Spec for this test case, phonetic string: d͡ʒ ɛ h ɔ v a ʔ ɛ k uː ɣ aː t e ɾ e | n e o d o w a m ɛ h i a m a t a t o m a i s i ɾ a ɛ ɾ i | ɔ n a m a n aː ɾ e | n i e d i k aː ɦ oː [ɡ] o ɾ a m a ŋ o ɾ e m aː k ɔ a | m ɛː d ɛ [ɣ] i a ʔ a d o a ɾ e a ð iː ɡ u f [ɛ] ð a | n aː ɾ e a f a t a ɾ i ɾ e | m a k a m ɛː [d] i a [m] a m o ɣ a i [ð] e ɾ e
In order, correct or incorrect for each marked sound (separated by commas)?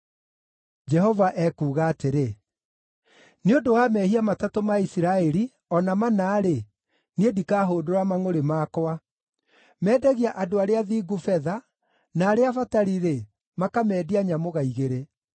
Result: incorrect, correct, correct, correct, incorrect, incorrect